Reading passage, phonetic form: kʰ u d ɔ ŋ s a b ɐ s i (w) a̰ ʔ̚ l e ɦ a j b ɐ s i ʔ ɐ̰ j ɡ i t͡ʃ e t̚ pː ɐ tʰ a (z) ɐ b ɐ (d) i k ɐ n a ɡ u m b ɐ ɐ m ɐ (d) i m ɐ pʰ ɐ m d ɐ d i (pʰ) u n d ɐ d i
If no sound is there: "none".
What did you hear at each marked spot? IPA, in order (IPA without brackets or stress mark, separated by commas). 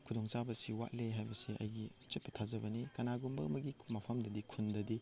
w, z, n, ɡ, kʰ